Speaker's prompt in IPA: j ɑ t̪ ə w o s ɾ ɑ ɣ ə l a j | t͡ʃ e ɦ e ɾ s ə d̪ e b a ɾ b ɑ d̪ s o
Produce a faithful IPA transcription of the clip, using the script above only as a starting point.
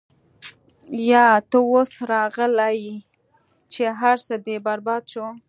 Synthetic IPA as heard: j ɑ t̪ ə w o s ɾ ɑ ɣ ə l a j | t͡ʃ e ɦ a ɾ s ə d̪ e b a ɾ b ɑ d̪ ʃ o